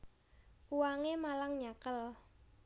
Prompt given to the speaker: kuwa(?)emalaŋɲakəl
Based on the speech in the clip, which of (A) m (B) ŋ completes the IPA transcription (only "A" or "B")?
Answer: B